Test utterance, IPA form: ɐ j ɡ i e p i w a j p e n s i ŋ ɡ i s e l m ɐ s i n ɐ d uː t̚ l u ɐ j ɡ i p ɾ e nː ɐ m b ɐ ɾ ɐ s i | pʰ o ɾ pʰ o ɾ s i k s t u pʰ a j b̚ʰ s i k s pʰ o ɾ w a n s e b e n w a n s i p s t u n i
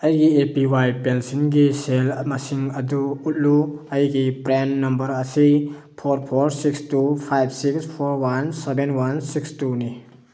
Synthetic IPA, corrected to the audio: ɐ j ɡ i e p i w a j p e n s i n ɡ i s e l m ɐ s i ŋ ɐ d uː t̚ l u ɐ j ɡ i p ɾ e nː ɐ m b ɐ ɾ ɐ s i | pʰ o ɾ pʰ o ɾ s i k s t u pʰ a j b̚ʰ s i k s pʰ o ɾ w a n s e b e n w a n s i k s t u n i